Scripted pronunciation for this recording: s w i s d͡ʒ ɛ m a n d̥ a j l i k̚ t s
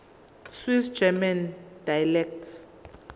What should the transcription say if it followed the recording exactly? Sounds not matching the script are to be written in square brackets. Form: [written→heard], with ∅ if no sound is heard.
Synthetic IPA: s w i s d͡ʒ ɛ m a n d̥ a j l [i→ɛ] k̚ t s